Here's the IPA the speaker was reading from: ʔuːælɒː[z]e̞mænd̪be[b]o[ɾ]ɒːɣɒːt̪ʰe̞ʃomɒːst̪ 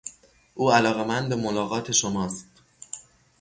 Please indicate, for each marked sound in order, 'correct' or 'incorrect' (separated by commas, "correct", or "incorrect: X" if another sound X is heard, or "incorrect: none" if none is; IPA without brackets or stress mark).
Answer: incorrect: ɣ, incorrect: m, incorrect: l